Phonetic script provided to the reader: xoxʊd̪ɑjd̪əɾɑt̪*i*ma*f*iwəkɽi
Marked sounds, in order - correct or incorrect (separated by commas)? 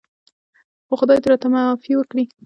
incorrect, correct